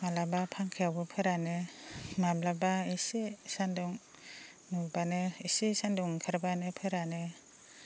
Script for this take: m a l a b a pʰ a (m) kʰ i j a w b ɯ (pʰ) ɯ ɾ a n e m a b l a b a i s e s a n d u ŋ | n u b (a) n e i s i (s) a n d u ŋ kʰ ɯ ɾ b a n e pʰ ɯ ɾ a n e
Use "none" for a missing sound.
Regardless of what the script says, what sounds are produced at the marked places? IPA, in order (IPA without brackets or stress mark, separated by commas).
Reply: ŋ, pʰ, a, s